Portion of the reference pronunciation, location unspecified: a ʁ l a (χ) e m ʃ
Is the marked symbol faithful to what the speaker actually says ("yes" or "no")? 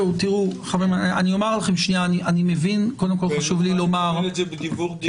yes